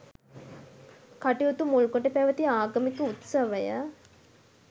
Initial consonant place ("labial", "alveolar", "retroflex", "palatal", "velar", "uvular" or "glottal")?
velar